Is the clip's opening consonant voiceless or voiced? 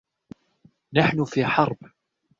voiced